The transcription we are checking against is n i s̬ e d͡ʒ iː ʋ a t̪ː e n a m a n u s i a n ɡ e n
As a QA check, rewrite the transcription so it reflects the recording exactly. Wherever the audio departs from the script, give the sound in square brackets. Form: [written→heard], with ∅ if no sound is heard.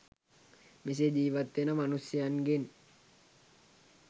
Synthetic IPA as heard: [n→m] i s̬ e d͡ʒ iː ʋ a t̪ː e n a m a n u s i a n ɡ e n